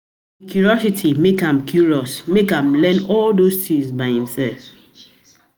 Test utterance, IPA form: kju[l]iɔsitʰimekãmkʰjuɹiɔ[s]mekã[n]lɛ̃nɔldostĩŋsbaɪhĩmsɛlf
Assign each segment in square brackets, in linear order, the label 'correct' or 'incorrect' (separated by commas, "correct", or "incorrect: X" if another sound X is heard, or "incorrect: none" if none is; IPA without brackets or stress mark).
incorrect: ɹ, correct, incorrect: m